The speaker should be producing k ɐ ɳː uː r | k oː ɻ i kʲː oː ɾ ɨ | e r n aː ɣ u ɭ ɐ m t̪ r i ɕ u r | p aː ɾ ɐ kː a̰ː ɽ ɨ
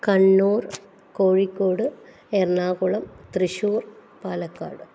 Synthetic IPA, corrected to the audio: k ɐ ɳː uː r | k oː ɻ i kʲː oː ɽ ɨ | e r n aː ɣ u ɭ ɐ m t̪ r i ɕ uː r | p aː l ɐ kː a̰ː ɽ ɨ